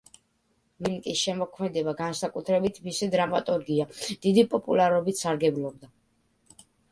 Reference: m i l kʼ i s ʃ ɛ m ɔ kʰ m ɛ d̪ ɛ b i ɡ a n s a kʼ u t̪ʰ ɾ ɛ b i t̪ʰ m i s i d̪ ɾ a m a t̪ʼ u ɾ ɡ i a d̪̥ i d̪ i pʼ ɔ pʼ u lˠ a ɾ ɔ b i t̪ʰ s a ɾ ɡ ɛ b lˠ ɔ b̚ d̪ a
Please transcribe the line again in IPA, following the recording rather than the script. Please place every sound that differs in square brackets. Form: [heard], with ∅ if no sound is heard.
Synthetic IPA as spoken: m i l kʼ i s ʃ ɛ m ɔ kʰ m ɛ d̪ ɛ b [a] ɡ a n s a kʼ u t̪ʰ ɾ ɛ b i t̪ʰ m i s i d̪ ɾ a m a t̪ʼ u ɾ ɡ i a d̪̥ i d̪ i pʼ ɔ pʼ u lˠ a ɾ ɔ b i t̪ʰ s a ɾ ɡ ɛ b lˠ ɔ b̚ d̪ a